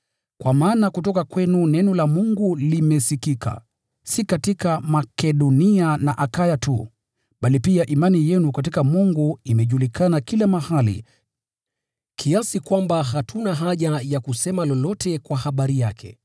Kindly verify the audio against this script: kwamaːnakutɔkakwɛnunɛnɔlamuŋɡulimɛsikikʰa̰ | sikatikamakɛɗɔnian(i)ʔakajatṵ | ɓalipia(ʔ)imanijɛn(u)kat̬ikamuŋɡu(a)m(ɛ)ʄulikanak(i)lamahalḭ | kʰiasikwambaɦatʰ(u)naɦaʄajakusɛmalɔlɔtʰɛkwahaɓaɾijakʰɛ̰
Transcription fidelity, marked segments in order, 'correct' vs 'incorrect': incorrect: a, correct, correct, incorrect: i, correct, correct, correct

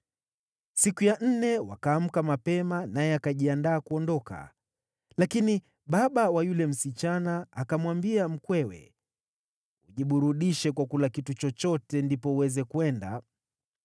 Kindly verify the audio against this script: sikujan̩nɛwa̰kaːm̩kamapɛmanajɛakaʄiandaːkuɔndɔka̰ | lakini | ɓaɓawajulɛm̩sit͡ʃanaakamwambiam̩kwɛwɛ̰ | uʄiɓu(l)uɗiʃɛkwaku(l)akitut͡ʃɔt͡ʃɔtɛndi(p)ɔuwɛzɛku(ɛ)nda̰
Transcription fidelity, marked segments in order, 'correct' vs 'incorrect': incorrect: ɾ, correct, correct, correct

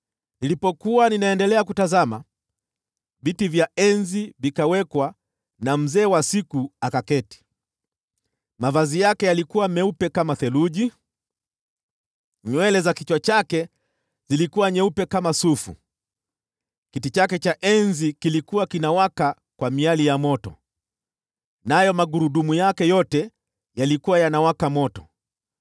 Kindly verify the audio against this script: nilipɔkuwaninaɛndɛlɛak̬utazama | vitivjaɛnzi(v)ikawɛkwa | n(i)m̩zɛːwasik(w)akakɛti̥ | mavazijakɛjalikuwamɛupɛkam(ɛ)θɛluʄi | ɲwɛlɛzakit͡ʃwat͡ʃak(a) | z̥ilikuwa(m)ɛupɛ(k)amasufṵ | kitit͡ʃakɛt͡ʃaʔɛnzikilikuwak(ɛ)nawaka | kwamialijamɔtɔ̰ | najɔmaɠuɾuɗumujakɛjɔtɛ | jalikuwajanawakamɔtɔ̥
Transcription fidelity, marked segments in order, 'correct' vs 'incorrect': correct, incorrect: a, incorrect: u, incorrect: a, incorrect: ɛ, incorrect: ɲ, correct, incorrect: i

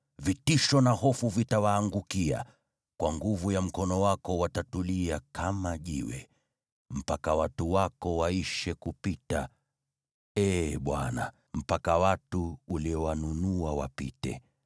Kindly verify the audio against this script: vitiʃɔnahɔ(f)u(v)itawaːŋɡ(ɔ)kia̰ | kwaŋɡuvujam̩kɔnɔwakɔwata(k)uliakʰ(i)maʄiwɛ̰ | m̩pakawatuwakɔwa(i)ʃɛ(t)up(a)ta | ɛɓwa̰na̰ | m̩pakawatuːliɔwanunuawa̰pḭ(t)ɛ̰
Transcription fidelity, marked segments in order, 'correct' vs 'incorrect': correct, correct, incorrect: u, incorrect: t, incorrect: a, correct, incorrect: k, incorrect: i, correct

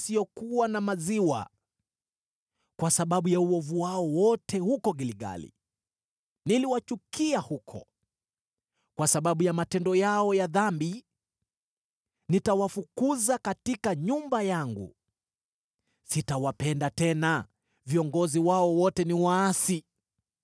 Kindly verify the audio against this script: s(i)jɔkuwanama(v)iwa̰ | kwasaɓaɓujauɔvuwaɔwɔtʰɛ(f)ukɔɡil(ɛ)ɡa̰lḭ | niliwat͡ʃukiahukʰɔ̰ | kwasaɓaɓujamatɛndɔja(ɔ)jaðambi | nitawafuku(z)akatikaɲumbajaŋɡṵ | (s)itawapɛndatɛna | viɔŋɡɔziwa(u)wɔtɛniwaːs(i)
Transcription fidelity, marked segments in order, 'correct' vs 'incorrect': correct, incorrect: z, incorrect: h, incorrect: i, correct, correct, correct, incorrect: ɔ, correct

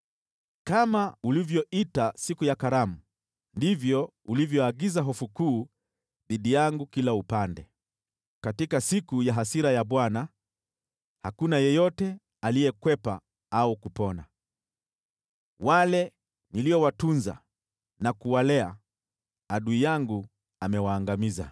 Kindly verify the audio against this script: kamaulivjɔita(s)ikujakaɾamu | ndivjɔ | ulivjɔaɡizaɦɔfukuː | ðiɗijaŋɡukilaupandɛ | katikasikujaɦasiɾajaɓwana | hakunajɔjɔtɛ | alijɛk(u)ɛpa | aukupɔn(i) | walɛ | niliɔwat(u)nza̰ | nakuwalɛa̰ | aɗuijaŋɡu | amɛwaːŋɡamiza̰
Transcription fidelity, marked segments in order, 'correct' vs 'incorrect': correct, incorrect: w, incorrect: a, correct

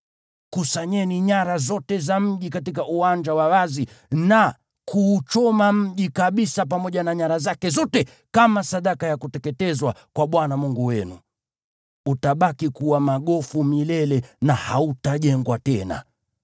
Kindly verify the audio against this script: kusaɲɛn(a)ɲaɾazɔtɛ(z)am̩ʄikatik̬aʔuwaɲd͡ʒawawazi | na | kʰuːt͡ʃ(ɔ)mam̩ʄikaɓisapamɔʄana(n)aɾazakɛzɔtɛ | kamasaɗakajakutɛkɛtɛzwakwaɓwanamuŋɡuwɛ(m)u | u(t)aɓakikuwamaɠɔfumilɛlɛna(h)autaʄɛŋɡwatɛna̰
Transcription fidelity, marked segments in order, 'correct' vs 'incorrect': incorrect: i, correct, correct, incorrect: ɲ, incorrect: n, correct, correct

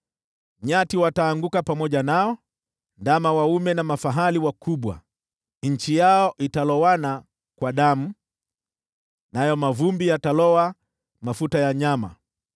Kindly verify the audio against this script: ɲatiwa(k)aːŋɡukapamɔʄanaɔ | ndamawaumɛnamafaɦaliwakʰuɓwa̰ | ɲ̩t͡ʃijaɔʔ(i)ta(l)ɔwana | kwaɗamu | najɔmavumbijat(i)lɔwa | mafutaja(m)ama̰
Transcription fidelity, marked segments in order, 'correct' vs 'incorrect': incorrect: t, correct, correct, incorrect: a, incorrect: ɲ

